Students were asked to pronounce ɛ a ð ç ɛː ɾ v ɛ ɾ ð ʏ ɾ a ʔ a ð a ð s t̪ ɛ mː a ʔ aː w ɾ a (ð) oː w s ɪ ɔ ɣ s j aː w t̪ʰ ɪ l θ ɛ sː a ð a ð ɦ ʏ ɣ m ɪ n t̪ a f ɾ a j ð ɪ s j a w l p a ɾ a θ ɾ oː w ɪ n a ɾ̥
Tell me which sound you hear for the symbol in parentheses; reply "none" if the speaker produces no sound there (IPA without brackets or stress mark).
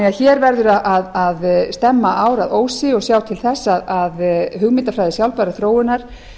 ð